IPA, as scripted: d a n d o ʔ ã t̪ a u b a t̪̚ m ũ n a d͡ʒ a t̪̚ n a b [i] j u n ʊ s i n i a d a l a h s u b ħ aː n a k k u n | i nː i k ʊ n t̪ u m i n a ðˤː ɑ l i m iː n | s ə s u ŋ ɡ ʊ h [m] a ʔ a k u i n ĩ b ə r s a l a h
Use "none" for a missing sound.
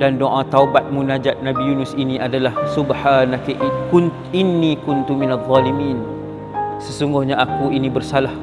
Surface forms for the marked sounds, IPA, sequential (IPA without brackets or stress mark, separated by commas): i, ɲ